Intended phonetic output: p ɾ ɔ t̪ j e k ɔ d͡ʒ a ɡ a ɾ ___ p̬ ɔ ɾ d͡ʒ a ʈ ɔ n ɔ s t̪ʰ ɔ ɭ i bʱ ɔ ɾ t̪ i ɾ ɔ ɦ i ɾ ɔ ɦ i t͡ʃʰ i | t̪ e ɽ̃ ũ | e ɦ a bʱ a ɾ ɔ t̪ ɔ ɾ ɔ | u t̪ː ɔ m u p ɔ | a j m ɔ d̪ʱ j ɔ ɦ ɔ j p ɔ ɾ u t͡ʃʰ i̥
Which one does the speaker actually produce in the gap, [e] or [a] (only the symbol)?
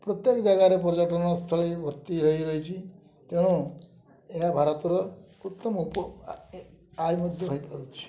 e